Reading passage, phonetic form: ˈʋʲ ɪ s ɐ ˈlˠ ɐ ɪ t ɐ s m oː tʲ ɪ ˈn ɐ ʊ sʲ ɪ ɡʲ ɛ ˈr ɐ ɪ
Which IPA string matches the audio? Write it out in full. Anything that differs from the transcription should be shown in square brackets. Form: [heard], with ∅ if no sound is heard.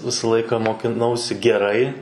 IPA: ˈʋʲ ɪ s ɐ ˈlˠ ɐ ɪ [k] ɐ [∅] m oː [kʲ] ɪ ˈn ɐ ʊ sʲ ɪ ɡʲ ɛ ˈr ɐ ɪ